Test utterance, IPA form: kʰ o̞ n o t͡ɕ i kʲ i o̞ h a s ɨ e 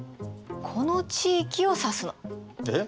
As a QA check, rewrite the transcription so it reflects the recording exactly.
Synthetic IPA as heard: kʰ o̞ n o t͡ɕ iː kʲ i o̞ s a s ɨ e

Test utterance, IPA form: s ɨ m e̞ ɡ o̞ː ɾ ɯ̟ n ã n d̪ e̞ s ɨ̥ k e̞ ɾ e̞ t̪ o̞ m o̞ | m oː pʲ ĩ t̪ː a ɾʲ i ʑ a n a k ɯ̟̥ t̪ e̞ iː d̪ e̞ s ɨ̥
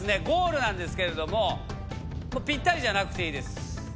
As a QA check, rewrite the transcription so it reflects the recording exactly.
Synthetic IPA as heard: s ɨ n e̞ ɡ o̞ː ɾ ɯ̟ n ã n d̪ e̞ s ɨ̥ k e̞ ɾ e̞ d̪ o̞ m o̞ | m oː pʲ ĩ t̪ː a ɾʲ i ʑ a n a k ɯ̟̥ t̪ e̞ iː d̪ e̞ s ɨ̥

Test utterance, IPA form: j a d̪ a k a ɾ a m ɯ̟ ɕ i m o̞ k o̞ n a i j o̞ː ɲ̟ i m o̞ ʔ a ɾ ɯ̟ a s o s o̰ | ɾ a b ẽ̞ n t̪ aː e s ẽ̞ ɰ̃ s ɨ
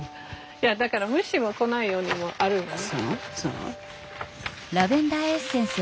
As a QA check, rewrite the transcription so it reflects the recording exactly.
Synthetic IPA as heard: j a d̪ a k a ɾ a m ɯ̟ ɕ i m o̞ k o̞ n a i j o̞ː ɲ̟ i m o̞ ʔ a ɾ ɯ̟ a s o s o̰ | ɾ a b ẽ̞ n d̪ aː e s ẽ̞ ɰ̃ s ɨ

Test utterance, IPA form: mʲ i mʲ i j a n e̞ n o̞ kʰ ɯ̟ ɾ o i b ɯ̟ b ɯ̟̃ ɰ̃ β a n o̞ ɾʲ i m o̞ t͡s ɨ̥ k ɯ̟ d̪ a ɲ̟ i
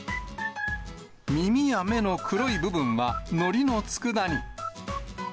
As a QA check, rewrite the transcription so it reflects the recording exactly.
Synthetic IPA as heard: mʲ i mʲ i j a m e̞ n o̞ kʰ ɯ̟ ɾ o i b ɯ̟ b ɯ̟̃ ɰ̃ β a n o̞ ɾʲ i n o̞ t͡s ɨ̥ k ɯ̟ d̪ a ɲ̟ i

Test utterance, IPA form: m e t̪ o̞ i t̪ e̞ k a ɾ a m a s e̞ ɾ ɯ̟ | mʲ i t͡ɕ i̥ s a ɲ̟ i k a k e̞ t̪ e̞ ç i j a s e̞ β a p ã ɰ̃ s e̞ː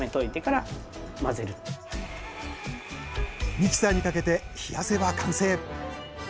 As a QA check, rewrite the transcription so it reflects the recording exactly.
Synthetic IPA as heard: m e t̪ o̞ i t̪ e̞ k a ɾ a m a z e̞ ɾ ɯ̟ | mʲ i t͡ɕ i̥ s a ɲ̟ i k a k e̞ t̪ e̞ ç i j a s e̞ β a k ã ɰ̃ s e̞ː

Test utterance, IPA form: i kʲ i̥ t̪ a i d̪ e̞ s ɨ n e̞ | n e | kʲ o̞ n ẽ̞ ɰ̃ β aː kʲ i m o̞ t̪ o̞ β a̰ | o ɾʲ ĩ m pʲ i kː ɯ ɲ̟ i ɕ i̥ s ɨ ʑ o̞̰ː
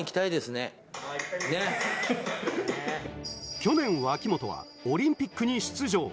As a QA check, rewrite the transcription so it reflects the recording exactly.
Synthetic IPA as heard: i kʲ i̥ t̪ a i d̪ e̞ s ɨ n e̞ | n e | kʲ o̞ n ẽ̞ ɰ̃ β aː kʲ i m o̞ t̪ o̞ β a̰ | o ɾʲ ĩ m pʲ i kː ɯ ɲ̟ i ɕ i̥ t͡s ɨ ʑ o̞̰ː

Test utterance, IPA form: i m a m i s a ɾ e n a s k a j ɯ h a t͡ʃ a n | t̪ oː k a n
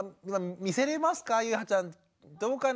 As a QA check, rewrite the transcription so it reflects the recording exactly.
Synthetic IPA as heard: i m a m i s e ɾ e m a s k a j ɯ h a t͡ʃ a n | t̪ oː k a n

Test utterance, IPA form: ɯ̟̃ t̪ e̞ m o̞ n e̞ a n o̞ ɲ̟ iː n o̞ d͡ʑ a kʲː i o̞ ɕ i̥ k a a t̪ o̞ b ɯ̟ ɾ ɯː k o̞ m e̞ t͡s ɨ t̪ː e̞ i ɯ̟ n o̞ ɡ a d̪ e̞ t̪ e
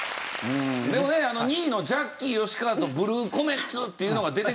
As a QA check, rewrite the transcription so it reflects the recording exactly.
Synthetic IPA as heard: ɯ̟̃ d̪ e̞ m o̞ n e̞ a n o̞ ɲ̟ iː n o̞ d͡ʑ a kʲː i o̞ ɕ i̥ k a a t̪ o̞ b ɯ̟ ɾ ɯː k o̞ m e̞ t͡s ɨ t̪ː e̞ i ɯ̟ n o̞ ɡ a d̪ e̞ t̪ e

